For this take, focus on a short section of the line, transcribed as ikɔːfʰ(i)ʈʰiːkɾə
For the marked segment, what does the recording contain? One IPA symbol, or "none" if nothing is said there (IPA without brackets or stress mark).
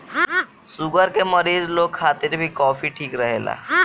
i